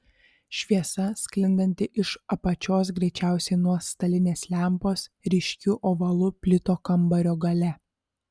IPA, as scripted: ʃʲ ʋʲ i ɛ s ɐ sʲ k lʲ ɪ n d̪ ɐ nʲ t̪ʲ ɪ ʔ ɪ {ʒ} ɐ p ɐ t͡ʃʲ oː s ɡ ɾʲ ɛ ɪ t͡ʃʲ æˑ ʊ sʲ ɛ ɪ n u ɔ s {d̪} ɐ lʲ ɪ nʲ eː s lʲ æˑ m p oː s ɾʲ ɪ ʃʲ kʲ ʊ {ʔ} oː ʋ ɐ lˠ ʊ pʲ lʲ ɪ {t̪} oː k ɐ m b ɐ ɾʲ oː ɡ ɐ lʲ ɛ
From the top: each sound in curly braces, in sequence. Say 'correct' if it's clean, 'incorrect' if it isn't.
incorrect: ʃ, incorrect: t̪, correct, correct

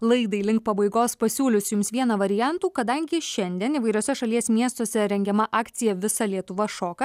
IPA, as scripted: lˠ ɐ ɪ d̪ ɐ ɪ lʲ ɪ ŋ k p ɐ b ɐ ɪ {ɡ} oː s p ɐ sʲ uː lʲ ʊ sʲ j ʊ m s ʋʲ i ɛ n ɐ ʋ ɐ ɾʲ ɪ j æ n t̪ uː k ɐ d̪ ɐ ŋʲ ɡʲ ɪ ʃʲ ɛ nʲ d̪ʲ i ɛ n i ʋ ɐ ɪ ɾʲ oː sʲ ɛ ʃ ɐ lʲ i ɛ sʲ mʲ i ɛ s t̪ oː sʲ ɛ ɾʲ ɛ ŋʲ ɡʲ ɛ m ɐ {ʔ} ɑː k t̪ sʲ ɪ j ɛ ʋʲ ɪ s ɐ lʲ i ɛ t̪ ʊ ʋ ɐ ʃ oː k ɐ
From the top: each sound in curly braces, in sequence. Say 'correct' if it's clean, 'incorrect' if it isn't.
correct, correct

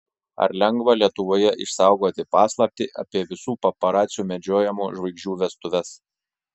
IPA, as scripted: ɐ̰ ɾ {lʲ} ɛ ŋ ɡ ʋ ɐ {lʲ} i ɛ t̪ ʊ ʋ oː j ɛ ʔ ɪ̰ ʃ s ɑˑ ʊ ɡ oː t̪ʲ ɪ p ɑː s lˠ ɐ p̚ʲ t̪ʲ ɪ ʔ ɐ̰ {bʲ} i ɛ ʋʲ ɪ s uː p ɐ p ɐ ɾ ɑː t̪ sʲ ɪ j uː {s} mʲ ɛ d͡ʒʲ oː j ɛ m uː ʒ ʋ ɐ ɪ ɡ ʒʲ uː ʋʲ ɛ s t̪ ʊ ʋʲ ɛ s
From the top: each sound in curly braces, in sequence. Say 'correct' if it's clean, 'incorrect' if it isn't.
correct, correct, incorrect: pʲ, incorrect: none

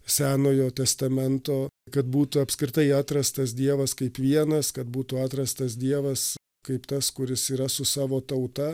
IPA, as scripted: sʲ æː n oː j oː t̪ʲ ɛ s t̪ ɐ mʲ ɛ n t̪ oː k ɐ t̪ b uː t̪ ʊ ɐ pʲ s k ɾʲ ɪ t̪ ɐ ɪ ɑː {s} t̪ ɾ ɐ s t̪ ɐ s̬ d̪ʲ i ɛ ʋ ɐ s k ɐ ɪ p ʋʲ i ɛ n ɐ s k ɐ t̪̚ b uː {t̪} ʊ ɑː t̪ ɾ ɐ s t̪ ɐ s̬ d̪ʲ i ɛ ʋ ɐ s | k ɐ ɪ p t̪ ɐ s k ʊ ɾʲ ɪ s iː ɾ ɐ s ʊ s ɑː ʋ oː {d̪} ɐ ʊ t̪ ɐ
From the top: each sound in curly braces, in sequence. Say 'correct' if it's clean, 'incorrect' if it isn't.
incorrect: none, correct, incorrect: t̪

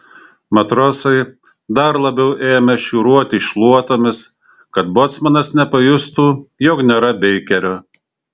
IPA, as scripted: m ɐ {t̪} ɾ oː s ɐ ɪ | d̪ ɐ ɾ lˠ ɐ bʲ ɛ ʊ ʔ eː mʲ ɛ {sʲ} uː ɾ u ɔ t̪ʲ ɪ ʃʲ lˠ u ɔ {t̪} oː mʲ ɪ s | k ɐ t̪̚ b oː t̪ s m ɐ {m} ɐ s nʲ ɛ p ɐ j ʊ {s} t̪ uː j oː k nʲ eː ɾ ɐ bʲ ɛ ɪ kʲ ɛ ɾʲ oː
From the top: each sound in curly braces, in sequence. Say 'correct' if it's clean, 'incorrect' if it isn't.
correct, incorrect: ʃʲ, correct, incorrect: n, correct

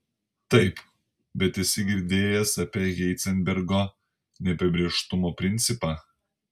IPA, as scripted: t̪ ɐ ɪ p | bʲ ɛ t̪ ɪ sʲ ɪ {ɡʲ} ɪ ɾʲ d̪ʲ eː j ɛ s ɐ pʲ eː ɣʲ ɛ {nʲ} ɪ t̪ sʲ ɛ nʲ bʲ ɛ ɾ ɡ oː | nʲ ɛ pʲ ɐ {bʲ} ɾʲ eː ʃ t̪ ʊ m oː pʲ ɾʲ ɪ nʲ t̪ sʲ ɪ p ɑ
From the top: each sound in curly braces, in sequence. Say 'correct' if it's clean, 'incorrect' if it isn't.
correct, incorrect: none, correct

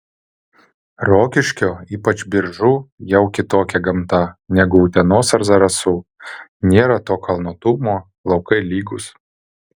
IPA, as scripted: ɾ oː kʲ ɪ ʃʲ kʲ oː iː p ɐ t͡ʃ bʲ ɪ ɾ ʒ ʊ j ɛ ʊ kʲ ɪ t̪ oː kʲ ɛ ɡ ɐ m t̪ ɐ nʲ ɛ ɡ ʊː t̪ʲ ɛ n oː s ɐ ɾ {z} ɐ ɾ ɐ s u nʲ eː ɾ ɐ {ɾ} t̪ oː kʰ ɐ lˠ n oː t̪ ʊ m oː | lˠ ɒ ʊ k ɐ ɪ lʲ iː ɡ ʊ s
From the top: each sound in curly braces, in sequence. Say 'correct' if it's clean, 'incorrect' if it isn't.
correct, incorrect: none

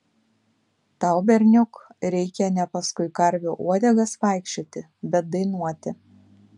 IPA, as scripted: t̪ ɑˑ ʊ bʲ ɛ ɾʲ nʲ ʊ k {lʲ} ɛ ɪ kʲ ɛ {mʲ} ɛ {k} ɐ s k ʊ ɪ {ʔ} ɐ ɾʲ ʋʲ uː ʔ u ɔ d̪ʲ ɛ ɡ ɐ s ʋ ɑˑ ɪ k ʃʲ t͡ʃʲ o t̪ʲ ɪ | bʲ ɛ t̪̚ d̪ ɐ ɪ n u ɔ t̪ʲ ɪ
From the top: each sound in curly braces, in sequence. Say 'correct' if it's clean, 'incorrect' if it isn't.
incorrect: ɾʲ, incorrect: nʲ, incorrect: p, incorrect: k

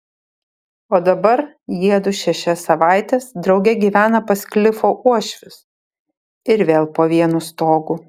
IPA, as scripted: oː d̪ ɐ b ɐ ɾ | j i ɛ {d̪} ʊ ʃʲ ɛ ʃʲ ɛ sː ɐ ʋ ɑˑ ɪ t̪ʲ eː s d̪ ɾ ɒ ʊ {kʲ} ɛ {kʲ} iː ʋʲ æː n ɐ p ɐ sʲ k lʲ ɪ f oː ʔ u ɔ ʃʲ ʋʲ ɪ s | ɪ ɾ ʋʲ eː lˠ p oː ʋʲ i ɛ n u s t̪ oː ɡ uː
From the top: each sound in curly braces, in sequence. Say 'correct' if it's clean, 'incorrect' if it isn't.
correct, incorrect: ɡʲ, incorrect: ɡʲ

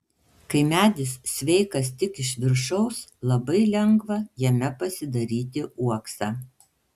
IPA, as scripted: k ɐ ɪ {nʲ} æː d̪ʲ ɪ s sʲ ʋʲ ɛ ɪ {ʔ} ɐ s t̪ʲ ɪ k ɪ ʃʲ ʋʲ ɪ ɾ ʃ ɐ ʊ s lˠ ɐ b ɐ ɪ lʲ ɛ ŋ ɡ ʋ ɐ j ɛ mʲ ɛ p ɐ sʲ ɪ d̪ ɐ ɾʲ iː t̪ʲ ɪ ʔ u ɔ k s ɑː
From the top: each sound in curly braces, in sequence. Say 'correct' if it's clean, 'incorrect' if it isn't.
incorrect: mʲ, incorrect: k

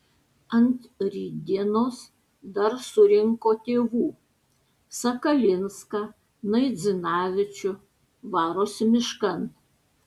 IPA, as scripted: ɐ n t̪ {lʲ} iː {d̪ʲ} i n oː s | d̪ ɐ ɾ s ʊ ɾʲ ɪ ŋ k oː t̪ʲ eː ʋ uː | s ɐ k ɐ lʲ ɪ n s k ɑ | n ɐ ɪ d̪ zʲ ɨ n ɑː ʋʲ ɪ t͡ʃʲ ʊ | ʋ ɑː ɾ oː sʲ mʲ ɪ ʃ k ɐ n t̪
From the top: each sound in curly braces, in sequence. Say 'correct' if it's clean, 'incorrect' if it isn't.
incorrect: ɾʲ, correct

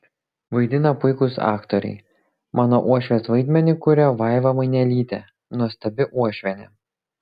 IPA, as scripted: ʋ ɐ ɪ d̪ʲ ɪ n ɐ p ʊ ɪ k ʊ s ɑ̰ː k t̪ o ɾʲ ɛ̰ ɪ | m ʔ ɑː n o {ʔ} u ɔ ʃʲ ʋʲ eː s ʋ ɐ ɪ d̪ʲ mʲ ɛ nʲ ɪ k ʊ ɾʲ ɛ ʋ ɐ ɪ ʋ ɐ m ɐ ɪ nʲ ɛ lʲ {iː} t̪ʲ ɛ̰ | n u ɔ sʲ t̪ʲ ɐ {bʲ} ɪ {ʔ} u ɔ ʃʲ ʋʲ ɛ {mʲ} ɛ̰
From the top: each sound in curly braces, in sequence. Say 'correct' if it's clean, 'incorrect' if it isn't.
correct, correct, correct, correct, incorrect: nʲ

